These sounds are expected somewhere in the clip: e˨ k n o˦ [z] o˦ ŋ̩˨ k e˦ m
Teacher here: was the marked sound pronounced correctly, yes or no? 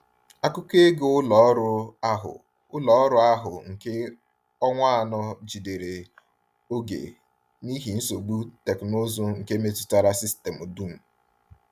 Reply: yes